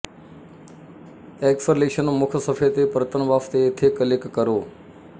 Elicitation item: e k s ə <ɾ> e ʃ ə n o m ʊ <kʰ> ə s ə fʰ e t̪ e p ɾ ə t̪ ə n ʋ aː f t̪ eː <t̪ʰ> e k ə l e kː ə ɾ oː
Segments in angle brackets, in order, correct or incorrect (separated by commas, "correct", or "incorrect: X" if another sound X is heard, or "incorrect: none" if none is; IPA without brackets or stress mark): incorrect: l, correct, correct